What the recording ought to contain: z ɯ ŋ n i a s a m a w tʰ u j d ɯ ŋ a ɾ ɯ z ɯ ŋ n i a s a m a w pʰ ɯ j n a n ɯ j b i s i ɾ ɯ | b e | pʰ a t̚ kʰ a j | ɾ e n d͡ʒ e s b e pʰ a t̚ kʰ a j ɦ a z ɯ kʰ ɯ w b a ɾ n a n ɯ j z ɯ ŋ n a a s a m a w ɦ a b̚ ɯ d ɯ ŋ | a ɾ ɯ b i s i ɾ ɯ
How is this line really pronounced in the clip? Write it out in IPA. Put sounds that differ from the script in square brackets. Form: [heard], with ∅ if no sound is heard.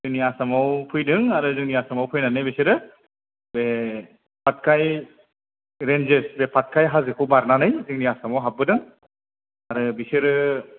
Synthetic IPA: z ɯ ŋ n i a s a m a w [pʰ] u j d ɯ ŋ a ɾ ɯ z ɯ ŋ n i a s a m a w pʰ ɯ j n a n ɯ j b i s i ɾ ɯ | b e | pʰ a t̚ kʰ a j | ɾ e n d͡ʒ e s b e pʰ a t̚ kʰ a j ɦ a z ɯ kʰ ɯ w b a ɾ n a n ɯ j z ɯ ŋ n [i] a s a m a w ɦ a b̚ ɯ d ɯ ŋ | a ɾ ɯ b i s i ɾ ɯ